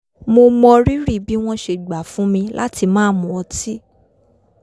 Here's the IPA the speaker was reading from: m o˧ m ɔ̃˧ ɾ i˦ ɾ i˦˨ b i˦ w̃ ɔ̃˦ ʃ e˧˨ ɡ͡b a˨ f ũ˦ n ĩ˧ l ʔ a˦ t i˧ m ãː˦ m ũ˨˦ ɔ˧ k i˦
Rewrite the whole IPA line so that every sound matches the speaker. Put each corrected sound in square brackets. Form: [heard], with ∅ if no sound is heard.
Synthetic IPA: m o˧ m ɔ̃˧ ɾ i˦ ɾ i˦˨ b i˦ w̃ ɔ̃˦ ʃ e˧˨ ɡ͡b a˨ f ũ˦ [m] ĩ˧ l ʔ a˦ t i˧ m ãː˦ m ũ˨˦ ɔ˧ [t] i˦